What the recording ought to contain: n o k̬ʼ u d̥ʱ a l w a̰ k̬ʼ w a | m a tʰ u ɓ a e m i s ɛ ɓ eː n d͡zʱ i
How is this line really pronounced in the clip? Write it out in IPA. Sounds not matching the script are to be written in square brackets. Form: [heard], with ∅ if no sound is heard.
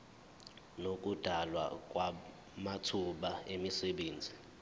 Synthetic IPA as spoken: n o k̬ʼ u d̥ʱ a l w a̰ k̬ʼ w a | m a tʰ u ɓ a e m i s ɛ ɓ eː n d͡zʱ i